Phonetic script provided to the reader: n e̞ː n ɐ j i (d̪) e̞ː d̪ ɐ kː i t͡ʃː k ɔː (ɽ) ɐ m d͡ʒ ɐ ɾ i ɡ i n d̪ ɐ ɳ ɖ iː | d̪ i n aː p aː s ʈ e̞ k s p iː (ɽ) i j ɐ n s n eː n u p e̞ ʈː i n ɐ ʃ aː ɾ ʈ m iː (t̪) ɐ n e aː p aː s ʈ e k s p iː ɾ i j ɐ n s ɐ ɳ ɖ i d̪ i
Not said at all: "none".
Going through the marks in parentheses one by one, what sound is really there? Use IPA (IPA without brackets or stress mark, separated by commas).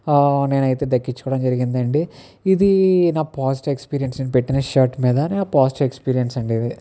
t̪, ɽ, ɾ, d̪